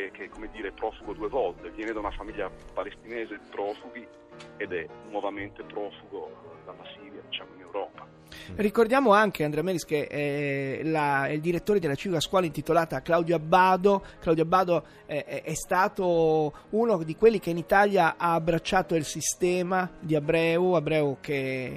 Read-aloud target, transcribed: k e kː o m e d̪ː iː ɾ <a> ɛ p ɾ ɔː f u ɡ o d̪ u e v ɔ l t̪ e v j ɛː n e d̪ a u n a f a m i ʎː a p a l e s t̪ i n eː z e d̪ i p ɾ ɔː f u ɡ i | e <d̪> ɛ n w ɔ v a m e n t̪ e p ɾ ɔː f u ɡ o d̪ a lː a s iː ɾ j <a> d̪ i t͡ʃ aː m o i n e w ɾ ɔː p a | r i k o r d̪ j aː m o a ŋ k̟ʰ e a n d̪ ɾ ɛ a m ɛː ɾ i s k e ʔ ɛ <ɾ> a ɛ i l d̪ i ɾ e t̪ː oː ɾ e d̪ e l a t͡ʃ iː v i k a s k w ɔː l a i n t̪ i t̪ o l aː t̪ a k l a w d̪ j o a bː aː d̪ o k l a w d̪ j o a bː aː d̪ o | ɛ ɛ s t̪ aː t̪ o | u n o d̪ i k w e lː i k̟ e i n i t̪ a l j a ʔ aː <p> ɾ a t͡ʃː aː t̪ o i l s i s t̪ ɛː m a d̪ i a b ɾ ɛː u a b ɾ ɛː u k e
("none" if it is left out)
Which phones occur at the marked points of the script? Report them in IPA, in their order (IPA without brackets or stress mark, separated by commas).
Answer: e, d̪, a, l, b